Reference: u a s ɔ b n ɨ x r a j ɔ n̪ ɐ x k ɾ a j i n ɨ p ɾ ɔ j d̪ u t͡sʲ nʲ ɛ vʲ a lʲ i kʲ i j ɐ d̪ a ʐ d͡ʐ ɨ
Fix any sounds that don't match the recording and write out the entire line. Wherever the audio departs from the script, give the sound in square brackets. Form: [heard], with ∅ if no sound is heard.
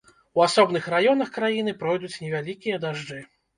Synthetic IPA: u a s ɔ b n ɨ x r a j ɔ n̪ ɐ x k ɾ a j i n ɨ p ɾ ɔ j d̪ u t͡sʲ nʲ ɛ vʲ a lʲ i kʲ i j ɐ d̪ a ʐ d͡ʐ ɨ